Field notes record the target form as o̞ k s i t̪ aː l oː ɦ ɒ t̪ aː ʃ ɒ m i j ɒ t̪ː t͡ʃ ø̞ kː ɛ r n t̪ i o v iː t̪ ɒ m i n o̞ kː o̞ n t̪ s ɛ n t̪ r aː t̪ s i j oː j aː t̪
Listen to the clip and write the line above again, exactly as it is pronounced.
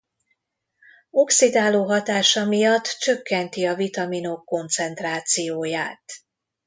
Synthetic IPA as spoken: o̞ k s i d̪ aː l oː ɦ ɒ t̪ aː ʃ ɒ m i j ɒ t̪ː t͡ʃ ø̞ kː ɛ n t̪ i ɒ v i t̪ ɒ m i n o̞ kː o̞ n t̪ s ɛ n t̪ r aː t̪ s i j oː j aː t̪